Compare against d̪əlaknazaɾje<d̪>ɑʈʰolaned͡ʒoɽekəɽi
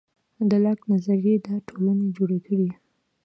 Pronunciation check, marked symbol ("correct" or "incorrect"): correct